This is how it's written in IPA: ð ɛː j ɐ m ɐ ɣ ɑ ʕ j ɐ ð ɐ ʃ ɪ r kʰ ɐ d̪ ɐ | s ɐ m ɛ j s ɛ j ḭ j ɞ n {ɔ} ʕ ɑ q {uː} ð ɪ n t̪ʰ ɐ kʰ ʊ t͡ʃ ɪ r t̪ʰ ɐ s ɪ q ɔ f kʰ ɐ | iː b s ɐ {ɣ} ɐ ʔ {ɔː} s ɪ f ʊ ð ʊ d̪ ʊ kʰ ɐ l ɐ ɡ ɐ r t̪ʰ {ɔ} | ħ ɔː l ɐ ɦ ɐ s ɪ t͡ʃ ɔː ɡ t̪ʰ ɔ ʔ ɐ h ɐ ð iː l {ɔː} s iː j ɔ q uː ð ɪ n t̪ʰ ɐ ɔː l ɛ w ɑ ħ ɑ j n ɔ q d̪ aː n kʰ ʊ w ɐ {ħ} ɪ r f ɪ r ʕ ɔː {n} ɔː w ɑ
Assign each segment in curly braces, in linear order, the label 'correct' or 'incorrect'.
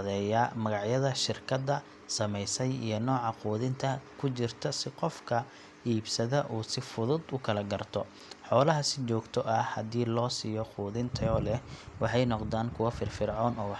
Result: incorrect: ɔː, correct, incorrect: ð, incorrect: uː, correct, correct, incorrect: f, correct

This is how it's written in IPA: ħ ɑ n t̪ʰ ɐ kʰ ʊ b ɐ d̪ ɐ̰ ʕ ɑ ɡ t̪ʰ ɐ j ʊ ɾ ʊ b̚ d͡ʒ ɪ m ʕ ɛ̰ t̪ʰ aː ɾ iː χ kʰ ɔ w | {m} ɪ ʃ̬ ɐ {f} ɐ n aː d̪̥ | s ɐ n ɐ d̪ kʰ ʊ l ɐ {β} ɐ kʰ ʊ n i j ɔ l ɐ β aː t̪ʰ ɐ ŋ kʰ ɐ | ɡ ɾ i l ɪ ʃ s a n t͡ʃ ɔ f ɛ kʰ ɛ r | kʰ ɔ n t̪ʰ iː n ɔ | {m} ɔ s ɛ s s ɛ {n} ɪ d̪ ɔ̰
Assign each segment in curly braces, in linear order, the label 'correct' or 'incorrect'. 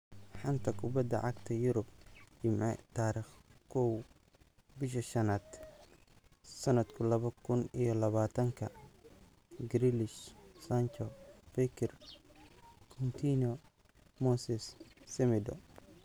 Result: incorrect: b, incorrect: ʃ, correct, correct, incorrect: m

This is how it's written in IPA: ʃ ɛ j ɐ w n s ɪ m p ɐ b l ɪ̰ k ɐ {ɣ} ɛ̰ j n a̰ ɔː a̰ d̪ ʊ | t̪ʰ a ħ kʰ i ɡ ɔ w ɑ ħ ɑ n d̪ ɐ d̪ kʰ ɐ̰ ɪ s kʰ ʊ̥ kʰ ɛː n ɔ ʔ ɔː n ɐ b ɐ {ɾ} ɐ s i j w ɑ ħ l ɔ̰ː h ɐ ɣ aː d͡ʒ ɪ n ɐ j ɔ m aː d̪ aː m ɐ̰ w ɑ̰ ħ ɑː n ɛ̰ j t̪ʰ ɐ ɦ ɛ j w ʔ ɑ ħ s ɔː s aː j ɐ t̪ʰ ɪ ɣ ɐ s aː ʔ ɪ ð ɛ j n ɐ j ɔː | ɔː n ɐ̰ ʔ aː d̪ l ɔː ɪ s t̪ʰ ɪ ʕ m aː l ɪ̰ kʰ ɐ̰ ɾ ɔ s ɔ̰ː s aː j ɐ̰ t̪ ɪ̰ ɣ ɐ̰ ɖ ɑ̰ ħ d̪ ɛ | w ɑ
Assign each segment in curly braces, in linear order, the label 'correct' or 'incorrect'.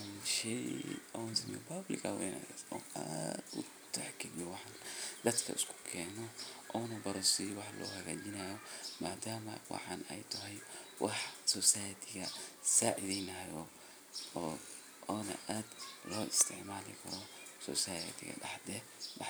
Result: incorrect: w, correct

